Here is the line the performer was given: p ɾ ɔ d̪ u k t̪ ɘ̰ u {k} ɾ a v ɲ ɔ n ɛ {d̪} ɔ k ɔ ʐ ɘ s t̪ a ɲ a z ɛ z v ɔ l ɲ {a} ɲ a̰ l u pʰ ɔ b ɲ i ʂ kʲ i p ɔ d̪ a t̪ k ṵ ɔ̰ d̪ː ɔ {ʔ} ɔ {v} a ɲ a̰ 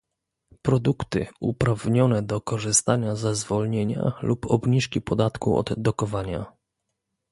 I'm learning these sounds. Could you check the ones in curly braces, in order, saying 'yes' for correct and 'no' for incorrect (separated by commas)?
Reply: no, yes, no, no, yes